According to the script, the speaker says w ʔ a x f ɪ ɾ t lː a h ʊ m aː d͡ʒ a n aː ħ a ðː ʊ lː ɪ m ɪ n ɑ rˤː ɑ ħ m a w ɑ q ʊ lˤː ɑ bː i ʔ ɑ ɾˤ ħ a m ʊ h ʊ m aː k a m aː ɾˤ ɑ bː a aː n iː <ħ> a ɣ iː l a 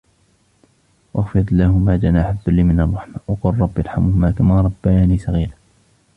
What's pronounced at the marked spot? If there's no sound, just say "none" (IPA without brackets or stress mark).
s